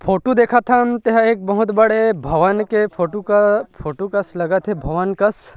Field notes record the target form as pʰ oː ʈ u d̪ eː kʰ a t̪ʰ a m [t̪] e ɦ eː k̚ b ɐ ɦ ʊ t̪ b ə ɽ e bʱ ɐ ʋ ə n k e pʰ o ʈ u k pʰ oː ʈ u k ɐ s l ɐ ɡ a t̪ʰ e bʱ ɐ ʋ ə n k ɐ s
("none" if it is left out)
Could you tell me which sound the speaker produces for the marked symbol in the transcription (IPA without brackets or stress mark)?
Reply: t̪